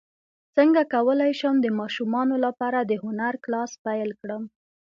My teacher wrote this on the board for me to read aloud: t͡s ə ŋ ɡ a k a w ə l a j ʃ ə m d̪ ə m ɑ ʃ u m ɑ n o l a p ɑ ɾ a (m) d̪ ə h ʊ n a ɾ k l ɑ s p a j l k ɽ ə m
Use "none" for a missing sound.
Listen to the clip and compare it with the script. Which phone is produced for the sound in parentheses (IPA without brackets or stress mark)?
none